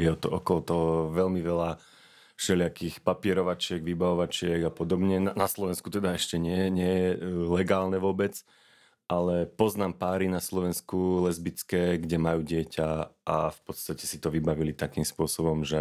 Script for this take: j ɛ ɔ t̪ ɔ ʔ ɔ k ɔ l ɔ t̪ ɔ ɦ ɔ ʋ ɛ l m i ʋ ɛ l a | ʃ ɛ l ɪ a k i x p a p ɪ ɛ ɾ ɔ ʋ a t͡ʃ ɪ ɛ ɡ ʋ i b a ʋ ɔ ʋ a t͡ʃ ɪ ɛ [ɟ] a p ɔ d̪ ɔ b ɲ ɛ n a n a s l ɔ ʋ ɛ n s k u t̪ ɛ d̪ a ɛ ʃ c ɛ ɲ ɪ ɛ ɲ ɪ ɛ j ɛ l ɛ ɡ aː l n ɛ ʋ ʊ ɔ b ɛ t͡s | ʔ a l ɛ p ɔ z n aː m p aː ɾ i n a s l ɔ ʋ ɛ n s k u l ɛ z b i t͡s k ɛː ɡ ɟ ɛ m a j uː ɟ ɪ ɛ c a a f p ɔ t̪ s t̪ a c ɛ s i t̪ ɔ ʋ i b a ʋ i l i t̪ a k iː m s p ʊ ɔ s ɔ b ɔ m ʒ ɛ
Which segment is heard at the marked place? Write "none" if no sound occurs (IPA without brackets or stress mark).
ɡ